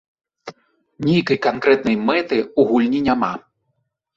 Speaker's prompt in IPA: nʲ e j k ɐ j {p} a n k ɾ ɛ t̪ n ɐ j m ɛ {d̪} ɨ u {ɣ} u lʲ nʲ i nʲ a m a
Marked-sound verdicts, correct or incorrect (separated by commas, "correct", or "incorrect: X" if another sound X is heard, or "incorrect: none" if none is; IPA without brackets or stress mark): incorrect: k, incorrect: t̪, correct